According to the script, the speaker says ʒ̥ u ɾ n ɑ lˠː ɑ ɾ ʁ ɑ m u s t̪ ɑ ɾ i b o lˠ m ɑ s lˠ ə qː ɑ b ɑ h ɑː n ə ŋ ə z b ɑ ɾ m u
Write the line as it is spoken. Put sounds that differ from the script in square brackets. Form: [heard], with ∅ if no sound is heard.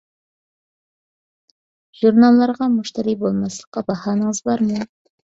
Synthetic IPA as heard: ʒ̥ u ɾ n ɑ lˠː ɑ ɾ ʁ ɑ m u [ʃ] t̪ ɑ ɾ i b o lˠ m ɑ s lˠ ə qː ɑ b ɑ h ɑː n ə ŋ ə z b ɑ ɾ m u

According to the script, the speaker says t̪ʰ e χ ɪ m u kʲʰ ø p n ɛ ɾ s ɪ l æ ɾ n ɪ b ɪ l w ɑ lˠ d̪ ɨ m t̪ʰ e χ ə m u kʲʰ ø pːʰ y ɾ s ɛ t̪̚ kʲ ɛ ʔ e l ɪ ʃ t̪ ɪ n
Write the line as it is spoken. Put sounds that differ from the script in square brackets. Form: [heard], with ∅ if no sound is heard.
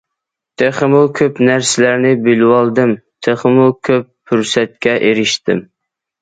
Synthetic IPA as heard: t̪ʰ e χ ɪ m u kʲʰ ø p n [æ] ɾ s ɪ l æ ɾ n ɪ b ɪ l w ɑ lˠ d̪ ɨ m t̪ʰ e χ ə m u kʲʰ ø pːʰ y ɾ s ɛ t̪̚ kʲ ɛ ʔ e [ɾ] ɪ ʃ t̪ ɪ [m]

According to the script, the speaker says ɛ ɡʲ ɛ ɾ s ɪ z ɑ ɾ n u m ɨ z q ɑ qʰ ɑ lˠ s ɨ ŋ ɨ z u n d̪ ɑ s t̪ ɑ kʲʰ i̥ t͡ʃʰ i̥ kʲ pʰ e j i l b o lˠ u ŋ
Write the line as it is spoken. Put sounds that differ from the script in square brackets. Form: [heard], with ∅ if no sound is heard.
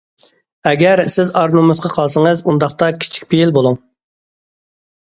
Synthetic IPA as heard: ɛ ɡʲ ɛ ɾ s ɪ z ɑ ɾ n u m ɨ z q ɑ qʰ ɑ lˠ s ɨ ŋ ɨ z u n d̪ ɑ [χ] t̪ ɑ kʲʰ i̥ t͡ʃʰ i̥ kʲ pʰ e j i l b o lˠ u ŋ

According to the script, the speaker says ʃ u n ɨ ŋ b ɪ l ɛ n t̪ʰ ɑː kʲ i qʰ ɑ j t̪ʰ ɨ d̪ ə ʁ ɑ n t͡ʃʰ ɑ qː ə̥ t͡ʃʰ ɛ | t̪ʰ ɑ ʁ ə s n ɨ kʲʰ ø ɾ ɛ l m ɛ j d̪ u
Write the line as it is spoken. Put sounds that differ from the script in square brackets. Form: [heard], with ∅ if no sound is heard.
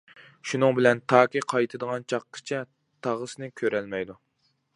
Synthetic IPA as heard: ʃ u n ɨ ŋ b ɪ l ɛ n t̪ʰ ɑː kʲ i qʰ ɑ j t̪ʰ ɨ d̪ ə ʁ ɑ n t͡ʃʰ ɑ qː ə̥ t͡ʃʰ ɛ | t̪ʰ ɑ ʁ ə s n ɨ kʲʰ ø ɾ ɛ l m ɛ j d̪ u

